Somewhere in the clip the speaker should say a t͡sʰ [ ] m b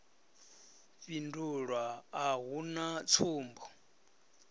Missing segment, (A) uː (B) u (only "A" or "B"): A